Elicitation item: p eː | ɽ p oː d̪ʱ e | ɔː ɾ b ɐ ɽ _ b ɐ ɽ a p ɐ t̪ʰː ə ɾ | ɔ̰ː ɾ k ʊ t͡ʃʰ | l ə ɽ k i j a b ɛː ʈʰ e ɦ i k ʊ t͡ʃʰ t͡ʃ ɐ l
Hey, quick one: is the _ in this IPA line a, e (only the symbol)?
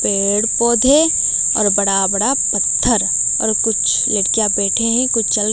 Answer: a